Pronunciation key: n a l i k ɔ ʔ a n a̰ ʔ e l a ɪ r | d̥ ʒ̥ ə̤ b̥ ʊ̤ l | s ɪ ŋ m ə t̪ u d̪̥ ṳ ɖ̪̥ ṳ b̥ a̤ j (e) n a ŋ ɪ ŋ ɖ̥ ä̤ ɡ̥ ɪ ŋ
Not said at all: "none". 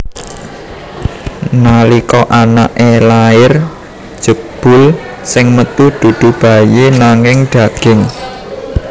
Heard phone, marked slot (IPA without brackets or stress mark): e